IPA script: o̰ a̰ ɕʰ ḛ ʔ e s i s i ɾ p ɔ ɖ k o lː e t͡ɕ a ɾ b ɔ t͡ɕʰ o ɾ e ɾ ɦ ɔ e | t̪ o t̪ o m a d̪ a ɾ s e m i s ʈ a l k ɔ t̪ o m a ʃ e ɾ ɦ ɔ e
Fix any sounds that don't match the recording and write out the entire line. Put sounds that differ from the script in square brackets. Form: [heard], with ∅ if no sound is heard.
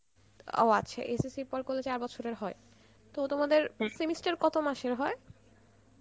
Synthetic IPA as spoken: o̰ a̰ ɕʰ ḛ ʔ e s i s i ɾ p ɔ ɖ k o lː e t͡ɕ a ɾ b ɔ t͡ɕʰ o ɾ e ɾ ɦ ɔ e | t̪ o t̪ o m a d̪ [e] ɾ s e m i s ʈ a [ɾ] k ɔ t̪ o m a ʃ e ɾ ɦ ɔ e